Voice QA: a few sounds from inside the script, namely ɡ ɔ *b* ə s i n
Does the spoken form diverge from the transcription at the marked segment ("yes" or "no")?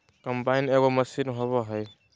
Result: yes